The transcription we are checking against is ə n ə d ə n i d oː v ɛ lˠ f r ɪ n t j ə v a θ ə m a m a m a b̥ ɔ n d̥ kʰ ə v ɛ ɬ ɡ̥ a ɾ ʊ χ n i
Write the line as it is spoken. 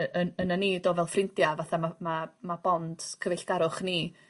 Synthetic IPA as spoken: ə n ə n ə n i d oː v ɛ lˠ f r ɪ n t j a v a θ a m a m a m a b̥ ɔ n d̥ kʰ ə v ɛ ɬ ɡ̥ a ɾ ʊ χ n i